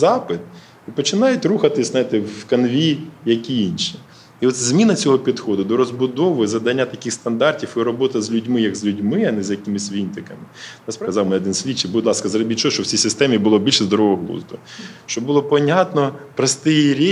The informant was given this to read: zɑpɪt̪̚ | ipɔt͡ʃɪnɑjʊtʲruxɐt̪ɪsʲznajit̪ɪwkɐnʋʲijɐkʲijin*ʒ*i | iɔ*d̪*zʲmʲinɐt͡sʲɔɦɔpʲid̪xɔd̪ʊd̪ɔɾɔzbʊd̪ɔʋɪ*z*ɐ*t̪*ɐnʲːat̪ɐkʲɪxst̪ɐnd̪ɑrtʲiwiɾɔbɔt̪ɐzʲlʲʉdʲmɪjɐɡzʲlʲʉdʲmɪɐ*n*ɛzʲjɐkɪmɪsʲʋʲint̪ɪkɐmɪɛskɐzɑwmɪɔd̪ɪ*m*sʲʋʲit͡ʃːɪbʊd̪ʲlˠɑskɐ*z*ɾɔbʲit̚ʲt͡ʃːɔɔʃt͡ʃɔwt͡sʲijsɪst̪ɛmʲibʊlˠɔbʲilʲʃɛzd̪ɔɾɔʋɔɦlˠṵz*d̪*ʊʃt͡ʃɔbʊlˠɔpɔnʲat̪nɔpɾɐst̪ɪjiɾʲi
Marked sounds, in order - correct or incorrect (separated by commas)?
incorrect, incorrect, correct, incorrect, correct, incorrect, correct, correct